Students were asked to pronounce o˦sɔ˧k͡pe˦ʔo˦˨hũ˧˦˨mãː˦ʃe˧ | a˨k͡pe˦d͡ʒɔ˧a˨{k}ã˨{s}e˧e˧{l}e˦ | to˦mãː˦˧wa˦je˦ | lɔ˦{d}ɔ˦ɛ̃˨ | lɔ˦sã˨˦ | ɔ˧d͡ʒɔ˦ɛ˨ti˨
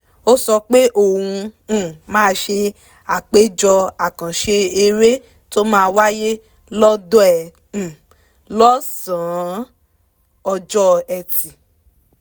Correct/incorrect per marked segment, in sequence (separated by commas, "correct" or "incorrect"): correct, incorrect, incorrect, correct